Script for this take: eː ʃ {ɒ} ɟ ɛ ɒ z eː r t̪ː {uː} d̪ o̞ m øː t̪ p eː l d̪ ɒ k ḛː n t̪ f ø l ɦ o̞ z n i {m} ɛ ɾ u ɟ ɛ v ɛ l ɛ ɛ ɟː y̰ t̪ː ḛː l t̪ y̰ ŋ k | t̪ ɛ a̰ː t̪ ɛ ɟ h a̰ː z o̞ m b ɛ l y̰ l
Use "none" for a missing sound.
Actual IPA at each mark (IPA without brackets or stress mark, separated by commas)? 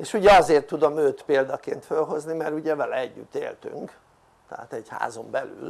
u, u, m